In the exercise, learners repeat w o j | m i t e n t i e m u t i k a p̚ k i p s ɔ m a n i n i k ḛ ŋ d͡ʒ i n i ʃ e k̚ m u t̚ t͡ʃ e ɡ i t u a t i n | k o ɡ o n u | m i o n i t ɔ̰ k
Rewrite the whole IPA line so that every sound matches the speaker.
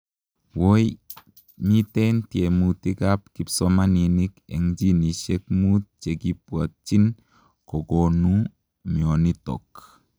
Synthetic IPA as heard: w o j | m i t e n t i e m u t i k a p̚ k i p s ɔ m a n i n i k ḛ ŋ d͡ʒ i n i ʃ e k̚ m u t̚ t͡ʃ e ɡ i p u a t͡ʃ i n | k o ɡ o n u | m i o n i t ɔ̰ k